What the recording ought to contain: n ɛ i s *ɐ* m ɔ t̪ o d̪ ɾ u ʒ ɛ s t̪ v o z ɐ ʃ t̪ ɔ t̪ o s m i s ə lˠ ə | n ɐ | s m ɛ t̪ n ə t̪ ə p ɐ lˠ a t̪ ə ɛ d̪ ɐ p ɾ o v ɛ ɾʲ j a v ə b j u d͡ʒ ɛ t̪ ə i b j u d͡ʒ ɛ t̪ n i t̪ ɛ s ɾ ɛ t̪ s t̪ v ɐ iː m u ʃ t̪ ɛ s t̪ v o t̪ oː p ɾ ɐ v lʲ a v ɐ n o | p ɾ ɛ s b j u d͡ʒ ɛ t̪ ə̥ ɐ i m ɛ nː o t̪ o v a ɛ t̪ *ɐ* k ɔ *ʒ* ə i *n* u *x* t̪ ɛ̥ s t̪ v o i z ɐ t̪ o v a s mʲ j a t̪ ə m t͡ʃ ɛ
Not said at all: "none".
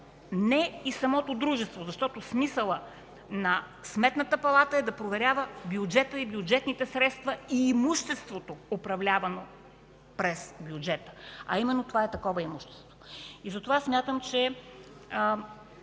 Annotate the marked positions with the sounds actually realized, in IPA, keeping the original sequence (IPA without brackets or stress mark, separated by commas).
ɐ, ɐ, v, m, ʃ